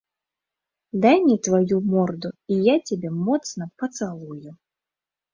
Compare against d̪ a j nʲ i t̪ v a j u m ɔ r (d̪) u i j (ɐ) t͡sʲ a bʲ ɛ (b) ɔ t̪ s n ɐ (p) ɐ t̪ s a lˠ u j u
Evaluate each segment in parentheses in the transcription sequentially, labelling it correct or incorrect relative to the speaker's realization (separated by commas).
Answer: correct, incorrect, incorrect, correct